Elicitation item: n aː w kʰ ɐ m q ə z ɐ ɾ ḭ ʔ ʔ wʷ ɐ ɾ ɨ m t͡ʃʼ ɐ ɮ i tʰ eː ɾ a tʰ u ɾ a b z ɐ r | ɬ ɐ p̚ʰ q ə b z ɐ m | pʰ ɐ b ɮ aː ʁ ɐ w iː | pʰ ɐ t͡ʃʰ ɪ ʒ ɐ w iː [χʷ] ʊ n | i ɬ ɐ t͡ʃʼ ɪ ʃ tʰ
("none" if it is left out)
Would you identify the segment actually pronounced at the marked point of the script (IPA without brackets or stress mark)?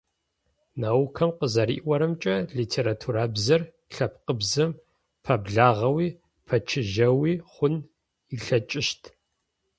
χʷ